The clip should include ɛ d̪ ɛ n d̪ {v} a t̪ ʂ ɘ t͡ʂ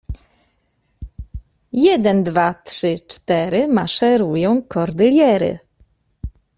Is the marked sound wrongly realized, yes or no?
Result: no